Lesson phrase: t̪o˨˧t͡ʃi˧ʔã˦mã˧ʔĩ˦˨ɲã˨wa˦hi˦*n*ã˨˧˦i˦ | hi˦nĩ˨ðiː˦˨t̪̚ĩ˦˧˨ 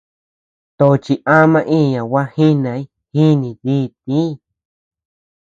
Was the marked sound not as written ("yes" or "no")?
no